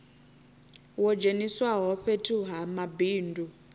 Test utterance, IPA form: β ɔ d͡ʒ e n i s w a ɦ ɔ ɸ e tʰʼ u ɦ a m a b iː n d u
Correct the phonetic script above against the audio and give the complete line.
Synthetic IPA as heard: w ɔ d͡ʒ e n i s w a ɦ ɔ ɸ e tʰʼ u ɦ a m a b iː n d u